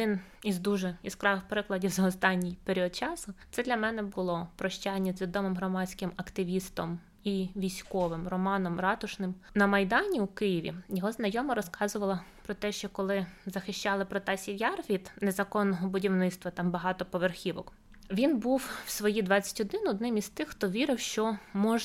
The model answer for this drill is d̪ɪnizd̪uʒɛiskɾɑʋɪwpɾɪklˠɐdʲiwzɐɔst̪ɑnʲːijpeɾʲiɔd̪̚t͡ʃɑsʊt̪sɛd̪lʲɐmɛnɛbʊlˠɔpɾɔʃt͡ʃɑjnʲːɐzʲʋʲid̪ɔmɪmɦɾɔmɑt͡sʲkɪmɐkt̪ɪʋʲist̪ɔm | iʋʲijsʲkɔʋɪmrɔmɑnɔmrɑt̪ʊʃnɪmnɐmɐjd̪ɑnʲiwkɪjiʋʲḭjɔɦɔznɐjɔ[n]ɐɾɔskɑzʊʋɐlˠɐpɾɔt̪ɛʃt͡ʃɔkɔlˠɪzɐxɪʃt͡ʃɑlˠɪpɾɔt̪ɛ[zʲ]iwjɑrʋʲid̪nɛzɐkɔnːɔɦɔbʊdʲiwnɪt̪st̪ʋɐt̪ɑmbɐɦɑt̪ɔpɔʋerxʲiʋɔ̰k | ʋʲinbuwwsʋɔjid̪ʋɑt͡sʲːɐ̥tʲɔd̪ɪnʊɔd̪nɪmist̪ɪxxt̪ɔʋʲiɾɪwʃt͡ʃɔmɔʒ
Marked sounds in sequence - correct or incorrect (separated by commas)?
incorrect, incorrect